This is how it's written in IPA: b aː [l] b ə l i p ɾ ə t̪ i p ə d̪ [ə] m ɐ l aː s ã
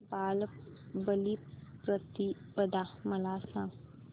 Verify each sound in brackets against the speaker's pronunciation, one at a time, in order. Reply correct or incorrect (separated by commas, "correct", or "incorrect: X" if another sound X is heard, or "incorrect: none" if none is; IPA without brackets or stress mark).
correct, incorrect: a